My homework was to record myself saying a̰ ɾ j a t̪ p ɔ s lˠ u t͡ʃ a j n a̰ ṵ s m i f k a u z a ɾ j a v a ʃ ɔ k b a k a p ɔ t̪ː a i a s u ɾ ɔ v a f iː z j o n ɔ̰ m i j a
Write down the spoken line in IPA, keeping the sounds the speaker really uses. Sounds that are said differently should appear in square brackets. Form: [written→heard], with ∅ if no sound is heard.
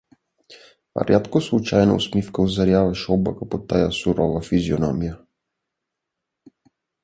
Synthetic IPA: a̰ ɾ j a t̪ [p→k] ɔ s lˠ u t͡ʃ a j n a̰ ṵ s m i f k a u z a ɾ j a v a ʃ ɔ [k→∅] b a k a p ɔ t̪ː a [i→j] a s u ɾ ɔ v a f [iː→i] z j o n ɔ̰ m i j a